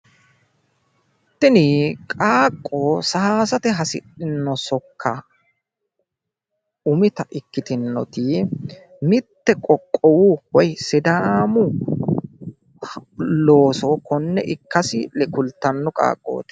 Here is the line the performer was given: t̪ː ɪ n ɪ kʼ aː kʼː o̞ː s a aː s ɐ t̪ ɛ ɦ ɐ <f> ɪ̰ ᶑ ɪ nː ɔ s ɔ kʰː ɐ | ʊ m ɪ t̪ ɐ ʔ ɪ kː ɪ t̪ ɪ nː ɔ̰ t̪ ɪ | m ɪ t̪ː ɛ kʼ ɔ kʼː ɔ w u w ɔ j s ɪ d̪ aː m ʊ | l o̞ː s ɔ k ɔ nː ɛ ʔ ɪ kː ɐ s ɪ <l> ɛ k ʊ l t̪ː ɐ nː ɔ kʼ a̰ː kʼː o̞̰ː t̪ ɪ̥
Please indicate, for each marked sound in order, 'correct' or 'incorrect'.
incorrect: s, correct

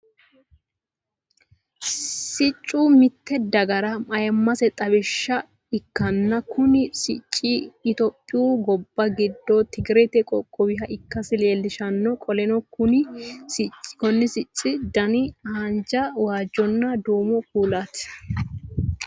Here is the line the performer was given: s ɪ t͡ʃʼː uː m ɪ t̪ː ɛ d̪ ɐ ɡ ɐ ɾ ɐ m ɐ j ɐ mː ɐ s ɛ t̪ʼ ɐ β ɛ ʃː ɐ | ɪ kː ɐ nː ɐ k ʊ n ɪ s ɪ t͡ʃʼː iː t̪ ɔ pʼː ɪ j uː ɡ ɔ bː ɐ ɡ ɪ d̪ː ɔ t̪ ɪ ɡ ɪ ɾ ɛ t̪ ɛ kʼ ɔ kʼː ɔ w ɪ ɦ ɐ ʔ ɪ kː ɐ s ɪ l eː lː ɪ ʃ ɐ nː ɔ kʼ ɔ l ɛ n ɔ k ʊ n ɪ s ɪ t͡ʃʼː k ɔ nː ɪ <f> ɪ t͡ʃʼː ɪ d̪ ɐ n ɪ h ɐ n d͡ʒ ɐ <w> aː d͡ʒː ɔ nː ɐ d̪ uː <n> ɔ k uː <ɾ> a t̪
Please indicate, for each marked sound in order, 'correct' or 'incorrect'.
incorrect: s, correct, incorrect: m, incorrect: l

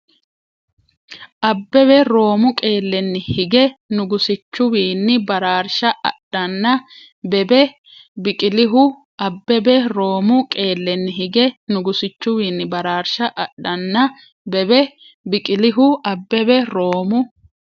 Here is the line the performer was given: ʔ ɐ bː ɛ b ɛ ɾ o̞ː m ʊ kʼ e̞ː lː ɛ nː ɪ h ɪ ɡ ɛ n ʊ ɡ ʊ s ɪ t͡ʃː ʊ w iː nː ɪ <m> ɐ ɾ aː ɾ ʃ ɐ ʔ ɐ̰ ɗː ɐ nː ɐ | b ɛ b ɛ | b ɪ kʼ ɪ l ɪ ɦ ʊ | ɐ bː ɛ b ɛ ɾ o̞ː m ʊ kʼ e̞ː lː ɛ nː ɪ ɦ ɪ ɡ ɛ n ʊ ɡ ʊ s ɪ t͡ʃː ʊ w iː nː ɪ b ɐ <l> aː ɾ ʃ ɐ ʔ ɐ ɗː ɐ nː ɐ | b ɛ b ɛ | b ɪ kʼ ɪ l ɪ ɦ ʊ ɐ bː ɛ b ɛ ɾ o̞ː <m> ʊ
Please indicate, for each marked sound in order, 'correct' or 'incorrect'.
incorrect: b, incorrect: ɾ, correct

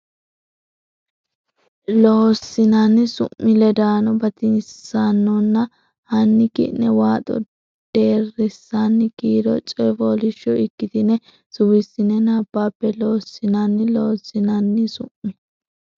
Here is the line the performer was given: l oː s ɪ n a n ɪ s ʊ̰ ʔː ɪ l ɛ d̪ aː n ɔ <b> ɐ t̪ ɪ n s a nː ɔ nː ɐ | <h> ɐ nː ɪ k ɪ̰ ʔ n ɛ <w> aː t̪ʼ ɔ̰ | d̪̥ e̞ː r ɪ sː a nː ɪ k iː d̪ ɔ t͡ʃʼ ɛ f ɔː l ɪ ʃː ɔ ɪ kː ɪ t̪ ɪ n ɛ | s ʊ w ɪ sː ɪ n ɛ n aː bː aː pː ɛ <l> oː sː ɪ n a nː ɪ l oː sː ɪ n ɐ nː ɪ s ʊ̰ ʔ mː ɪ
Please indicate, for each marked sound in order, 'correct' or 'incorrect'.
correct, correct, correct, correct

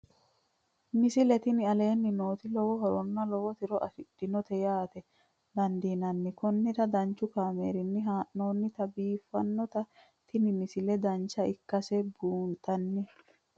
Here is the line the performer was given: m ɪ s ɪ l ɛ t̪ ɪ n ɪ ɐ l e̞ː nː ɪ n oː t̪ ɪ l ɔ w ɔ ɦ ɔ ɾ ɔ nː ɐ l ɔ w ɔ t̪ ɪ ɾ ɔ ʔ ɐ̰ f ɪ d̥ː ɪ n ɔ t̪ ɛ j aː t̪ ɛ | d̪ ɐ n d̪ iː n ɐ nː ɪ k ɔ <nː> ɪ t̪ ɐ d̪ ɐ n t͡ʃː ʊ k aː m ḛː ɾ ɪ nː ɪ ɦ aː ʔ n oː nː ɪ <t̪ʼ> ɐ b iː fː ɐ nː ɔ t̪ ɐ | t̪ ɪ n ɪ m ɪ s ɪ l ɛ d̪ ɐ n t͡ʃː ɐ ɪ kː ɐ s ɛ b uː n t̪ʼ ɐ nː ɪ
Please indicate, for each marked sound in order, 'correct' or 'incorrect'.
correct, incorrect: t̪

